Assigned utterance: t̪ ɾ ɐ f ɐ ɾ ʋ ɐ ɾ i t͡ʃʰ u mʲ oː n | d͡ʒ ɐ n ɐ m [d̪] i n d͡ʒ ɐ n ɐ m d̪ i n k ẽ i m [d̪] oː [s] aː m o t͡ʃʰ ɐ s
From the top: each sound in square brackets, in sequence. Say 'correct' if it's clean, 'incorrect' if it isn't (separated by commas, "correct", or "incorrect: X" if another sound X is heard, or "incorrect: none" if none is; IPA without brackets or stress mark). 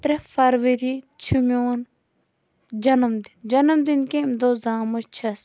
correct, correct, incorrect: z